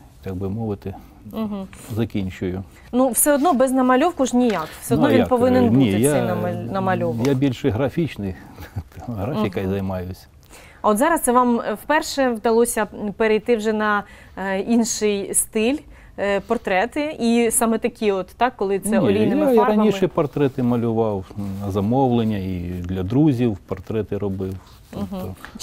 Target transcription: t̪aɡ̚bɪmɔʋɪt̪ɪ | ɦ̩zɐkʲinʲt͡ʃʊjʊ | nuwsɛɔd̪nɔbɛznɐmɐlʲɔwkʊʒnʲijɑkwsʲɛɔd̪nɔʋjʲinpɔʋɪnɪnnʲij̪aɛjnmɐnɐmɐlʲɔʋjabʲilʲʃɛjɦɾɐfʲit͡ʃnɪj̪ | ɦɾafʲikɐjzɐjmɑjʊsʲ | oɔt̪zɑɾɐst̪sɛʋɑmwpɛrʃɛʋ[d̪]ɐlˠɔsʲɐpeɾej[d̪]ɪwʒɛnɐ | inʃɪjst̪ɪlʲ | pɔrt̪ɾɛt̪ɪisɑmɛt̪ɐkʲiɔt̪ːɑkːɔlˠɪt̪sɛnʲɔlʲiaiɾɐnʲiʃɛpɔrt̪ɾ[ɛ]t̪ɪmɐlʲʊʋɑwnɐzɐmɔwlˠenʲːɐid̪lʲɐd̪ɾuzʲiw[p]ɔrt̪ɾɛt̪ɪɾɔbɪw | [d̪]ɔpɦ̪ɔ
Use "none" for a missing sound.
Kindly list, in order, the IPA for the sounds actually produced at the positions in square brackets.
d̪, t̪, ɛ, p, t̪

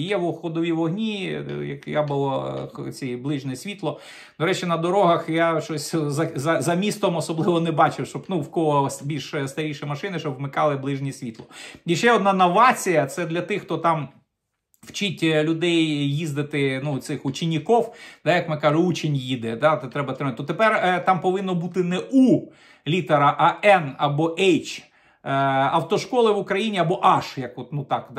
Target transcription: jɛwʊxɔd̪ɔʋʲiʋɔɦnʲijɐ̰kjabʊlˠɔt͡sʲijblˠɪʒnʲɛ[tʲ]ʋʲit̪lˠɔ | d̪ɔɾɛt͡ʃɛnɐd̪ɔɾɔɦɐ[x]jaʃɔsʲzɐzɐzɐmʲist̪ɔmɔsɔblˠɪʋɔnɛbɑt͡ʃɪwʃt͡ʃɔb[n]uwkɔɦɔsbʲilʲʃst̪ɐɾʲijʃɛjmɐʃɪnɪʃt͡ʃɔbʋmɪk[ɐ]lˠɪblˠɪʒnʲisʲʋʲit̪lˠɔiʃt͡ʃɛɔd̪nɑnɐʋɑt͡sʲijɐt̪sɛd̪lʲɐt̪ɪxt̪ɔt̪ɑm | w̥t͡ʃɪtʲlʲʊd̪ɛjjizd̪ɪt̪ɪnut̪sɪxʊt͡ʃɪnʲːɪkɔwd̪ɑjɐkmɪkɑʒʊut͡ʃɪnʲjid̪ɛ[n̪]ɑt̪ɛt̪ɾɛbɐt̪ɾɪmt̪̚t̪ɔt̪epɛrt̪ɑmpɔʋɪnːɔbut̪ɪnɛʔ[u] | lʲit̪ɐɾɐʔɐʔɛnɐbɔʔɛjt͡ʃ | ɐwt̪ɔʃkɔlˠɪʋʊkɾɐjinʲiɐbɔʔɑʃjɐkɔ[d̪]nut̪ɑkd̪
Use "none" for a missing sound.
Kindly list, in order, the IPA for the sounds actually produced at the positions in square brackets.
sʲ, x, n, ɑ, d̪, u, t̪

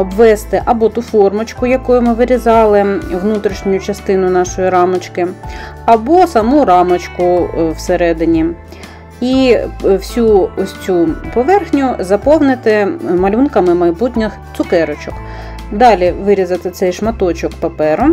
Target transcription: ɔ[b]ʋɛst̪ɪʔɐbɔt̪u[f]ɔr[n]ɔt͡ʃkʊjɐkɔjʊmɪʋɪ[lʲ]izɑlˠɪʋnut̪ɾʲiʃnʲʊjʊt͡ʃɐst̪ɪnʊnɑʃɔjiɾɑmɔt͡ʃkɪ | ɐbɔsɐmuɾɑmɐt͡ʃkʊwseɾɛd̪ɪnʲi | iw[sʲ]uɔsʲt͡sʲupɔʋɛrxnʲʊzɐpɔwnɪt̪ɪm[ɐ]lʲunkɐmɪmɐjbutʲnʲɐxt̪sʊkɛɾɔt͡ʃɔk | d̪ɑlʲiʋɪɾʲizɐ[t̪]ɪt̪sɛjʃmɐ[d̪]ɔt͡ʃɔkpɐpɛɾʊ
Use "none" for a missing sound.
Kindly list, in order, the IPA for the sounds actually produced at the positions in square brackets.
b, f, m, ɾʲ, sʲ, ɐ, t̪, t̪

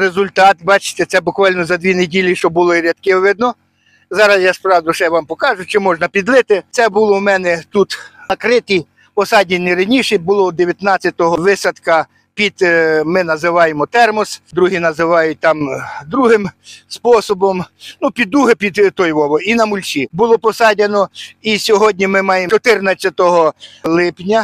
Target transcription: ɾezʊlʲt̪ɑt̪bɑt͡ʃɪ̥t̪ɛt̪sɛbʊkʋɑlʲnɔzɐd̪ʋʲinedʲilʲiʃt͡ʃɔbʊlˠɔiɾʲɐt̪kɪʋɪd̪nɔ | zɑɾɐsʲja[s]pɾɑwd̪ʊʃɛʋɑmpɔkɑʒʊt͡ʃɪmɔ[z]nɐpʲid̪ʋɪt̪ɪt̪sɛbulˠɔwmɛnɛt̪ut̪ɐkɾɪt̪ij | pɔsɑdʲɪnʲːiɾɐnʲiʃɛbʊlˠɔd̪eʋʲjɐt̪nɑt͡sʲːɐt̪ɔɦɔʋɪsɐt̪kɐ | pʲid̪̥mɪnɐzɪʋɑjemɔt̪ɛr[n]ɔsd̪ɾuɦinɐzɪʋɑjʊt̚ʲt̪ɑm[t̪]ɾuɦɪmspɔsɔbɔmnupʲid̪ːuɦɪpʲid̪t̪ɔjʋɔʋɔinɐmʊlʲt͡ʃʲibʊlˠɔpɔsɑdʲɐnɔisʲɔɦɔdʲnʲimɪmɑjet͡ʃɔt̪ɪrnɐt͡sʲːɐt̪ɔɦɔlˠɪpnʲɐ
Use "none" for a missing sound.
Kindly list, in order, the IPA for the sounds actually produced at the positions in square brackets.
s, ʒ, m, d̪

